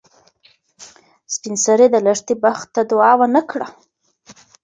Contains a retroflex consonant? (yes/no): yes